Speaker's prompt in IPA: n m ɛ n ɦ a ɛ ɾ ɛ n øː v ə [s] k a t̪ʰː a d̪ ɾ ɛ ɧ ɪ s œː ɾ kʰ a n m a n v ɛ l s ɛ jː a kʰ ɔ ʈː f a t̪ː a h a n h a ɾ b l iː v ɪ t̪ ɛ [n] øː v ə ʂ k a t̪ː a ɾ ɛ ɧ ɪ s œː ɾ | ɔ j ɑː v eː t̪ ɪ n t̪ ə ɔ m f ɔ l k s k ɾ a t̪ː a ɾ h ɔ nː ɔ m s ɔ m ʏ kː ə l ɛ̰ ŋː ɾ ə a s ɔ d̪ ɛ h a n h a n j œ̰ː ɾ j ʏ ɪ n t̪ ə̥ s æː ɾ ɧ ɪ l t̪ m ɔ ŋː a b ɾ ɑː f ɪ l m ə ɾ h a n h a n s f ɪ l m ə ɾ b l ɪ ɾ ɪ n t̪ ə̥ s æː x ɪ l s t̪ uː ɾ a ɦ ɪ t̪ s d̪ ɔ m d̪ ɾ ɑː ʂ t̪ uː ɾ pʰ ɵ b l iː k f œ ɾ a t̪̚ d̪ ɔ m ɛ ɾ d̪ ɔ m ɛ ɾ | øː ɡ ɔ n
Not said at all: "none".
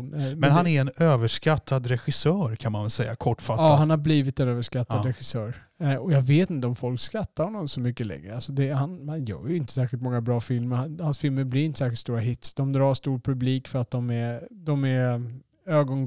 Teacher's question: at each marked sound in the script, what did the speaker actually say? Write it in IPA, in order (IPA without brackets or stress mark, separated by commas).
ʂ, n